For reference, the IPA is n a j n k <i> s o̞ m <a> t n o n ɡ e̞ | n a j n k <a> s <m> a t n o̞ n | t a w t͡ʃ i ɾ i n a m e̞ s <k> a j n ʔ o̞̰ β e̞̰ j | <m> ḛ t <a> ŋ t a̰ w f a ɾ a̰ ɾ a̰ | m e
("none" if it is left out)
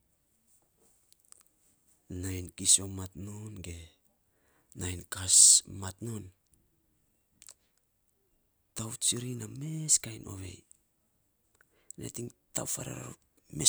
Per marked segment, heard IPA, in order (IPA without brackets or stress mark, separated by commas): i, a, a, m, k, n, i